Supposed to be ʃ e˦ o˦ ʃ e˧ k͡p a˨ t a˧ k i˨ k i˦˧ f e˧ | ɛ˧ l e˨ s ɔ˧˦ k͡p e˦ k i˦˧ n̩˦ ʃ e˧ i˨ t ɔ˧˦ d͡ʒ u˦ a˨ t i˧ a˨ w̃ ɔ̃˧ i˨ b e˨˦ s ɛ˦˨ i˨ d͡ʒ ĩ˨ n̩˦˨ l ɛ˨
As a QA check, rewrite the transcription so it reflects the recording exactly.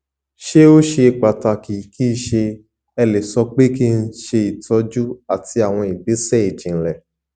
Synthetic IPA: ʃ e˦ o˦ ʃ e˧ k͡p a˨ t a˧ k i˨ k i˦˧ ʃ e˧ | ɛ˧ l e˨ s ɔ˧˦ k͡p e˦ k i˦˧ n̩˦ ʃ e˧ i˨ t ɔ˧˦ d͡ʒ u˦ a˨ t i˧ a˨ w̃ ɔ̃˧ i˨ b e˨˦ s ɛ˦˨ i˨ d͡ʒ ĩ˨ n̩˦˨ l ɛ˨